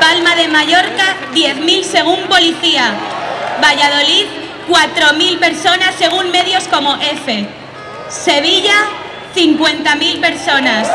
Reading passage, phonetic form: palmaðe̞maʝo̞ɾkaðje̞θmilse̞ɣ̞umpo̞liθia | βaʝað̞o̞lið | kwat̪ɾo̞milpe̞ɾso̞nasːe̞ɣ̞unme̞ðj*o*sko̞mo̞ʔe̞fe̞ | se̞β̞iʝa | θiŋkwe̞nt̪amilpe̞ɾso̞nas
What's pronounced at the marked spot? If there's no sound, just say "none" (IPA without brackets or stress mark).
o